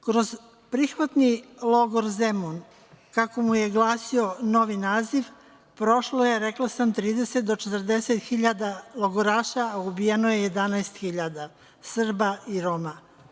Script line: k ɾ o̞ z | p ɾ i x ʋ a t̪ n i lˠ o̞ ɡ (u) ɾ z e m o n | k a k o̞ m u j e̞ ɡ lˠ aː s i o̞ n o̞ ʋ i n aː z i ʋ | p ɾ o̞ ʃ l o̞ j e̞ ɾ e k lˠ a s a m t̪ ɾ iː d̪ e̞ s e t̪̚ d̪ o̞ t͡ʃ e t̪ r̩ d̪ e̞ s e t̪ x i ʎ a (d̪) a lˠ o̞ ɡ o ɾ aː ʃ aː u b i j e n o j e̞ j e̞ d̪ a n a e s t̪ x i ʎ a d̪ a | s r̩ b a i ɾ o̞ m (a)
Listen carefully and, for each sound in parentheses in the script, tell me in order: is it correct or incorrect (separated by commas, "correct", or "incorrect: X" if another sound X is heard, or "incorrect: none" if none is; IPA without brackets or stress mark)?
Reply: incorrect: o, correct, correct